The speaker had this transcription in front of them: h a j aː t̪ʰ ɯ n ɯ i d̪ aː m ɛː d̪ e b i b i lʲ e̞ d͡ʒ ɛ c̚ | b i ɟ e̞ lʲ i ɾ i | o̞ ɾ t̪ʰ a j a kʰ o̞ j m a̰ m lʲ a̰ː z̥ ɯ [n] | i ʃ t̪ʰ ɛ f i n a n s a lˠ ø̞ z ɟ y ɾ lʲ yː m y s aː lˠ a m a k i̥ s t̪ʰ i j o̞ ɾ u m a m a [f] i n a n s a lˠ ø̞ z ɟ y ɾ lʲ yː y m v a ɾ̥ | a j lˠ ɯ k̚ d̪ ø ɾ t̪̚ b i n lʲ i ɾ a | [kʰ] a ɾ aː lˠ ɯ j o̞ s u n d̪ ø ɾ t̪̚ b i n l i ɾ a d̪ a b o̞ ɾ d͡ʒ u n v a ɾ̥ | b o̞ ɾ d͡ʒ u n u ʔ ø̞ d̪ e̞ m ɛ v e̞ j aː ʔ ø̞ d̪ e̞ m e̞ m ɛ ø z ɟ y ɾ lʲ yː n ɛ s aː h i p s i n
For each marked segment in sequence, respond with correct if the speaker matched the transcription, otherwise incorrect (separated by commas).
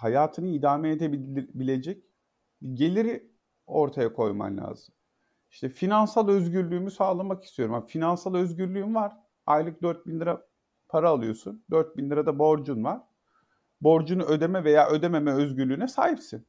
incorrect, correct, incorrect